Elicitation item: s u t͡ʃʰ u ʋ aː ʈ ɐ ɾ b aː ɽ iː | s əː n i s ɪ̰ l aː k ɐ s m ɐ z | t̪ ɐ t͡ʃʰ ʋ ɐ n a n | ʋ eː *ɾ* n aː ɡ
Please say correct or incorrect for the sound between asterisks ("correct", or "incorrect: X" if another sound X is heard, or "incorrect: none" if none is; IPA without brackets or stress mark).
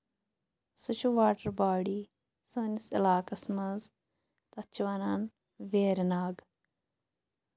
correct